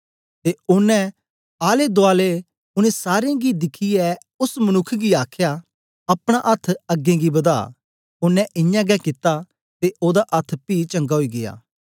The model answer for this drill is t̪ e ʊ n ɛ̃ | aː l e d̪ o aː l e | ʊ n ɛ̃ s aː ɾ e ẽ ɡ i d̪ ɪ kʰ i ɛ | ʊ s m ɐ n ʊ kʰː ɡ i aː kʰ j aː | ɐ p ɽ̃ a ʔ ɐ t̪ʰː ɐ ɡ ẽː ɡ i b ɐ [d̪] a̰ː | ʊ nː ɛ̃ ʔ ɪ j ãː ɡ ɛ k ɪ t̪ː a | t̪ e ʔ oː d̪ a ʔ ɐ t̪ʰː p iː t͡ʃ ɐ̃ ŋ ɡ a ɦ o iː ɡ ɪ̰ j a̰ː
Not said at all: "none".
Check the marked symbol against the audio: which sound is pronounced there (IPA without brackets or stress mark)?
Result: d̪